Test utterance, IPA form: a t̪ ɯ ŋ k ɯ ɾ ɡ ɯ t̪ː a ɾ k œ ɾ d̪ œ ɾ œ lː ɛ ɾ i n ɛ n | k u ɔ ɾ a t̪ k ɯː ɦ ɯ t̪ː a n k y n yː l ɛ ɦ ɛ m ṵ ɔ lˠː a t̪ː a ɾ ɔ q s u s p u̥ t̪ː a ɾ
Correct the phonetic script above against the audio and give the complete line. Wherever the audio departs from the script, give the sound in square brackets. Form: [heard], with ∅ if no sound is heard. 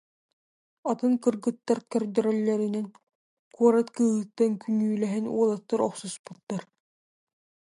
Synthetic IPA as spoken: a t̪ ɯ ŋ k ɯ ɾ ɡ ɯ t̪ː a ɾ k œ ɾ d̪ œ ɾ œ lː ɛ ɾ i n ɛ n | k u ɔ ɾ a t̪ k ɯː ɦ ɯ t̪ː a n k y n yː l ɛ ɦ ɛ [n] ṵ ɔ [lˠ] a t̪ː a ɾ ɔ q s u s p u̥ t̪ː a ɾ

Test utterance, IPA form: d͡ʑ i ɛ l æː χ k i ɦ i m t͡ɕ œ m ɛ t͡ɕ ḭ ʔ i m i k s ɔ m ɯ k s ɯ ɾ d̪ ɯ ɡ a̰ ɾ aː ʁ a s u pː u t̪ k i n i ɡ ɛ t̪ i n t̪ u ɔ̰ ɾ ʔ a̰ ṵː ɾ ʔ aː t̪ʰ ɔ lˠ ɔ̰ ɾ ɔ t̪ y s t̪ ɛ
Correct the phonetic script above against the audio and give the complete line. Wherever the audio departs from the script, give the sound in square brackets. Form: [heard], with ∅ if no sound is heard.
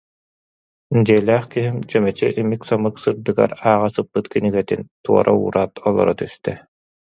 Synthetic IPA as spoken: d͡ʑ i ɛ l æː χ k i ɦ i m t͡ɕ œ m ɛ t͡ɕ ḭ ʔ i m i k s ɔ m ɯ k s ɯ ɾ d̪ ɯ ɡ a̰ ɾ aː ʁ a s [ɯ] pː [ɯ] t̪ k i n i ɡ ɛ t̪ i n t̪ u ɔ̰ ɾ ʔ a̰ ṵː ɾ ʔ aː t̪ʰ ɔ lˠ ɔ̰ ɾ ɔ t̪ y s t̪ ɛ

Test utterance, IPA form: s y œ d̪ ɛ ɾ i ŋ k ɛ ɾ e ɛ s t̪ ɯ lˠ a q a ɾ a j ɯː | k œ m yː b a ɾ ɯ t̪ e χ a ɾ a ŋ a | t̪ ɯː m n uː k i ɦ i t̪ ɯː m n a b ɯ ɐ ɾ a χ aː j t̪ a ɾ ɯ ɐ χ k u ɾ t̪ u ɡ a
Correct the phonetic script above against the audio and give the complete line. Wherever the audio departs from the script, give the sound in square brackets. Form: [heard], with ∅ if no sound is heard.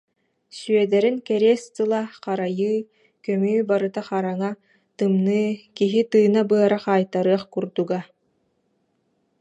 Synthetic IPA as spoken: s y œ d̪ ɛ ɾ i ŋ k ɛ ɾ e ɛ s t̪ ɯ lˠ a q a ɾ a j ɯː | k œ m yː b a ɾ ɯ t̪ [a] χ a ɾ a ŋ a | t̪ [ɯ] m n [ɯː] k i ɦ i t̪ ɯː [∅] n a b ɯ ɐ ɾ a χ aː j t̪ a ɾ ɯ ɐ χ k u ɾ [d̪] u ɡ a

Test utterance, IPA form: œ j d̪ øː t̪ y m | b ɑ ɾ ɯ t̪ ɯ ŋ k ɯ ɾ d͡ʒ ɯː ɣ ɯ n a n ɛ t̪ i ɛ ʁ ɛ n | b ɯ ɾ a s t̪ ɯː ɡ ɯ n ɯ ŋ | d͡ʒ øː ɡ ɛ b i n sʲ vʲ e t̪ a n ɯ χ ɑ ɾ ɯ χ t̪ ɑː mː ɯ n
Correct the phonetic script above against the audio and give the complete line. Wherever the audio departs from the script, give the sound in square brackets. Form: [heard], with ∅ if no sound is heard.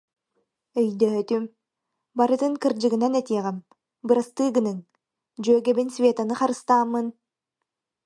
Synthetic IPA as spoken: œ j d̪ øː t̪ y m | b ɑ ɾ ɯ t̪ ɯ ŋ k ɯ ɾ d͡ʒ [ɯ] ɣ ɯ n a n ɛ t̪ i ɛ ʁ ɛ [m] | b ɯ ɾ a s t̪ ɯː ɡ ɯ n ɯ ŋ | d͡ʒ øː ɡ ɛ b i n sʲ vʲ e t̪ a n ɯ χ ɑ ɾ ɯ [s] t̪ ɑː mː ɯ n

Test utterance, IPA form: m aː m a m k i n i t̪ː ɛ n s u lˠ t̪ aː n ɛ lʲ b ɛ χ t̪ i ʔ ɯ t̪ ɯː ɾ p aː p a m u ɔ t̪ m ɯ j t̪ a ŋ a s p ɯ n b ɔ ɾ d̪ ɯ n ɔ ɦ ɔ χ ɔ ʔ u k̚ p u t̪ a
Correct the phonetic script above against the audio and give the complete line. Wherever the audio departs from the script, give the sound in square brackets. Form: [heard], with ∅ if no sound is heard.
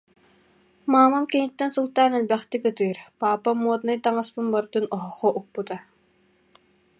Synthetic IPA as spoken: m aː m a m k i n i t̪ː ɛ n s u lˠ t̪ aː n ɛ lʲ b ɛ χ t̪ i [k] ɯ t̪ ɯː ɾ p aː p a m u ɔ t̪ [n] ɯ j t̪ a ŋ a s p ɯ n b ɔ ɾ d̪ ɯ n ɔ ɦ ɔ χ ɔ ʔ u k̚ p u t̪ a

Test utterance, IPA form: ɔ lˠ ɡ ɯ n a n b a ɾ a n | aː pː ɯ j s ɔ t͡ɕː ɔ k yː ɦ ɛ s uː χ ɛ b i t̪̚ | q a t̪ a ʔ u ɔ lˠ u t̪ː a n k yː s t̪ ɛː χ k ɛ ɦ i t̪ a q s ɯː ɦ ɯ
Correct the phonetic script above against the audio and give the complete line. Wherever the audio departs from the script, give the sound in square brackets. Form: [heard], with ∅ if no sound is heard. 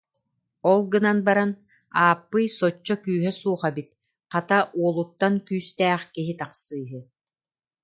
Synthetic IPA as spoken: ɔ lˠ ɡ ɯ n a n b a ɾ a n | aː pː ɯ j s ɔ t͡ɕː ɔ k yː ɦ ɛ s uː χ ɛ b i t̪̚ | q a t̪ a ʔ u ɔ lˠ u t̪ː a n k yː s t̪ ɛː χ k [i] ɦ i t̪ a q s ɯː ɦ ɯ

